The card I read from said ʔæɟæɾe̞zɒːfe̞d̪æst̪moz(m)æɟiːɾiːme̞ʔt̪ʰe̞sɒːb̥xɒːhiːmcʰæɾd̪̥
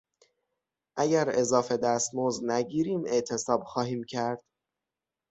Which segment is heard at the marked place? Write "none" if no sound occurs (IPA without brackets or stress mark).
n